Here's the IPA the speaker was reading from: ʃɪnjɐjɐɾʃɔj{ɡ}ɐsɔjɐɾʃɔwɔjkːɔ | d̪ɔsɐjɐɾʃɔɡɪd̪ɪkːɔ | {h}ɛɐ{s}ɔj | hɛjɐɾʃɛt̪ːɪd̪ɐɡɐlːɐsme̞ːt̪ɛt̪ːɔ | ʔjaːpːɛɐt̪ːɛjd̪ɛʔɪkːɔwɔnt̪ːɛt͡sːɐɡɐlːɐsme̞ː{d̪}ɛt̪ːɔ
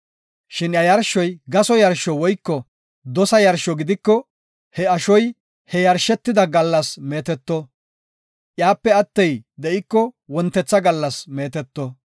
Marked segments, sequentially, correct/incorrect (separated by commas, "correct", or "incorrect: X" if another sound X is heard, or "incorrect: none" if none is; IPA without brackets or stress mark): correct, correct, incorrect: ʃ, incorrect: t̪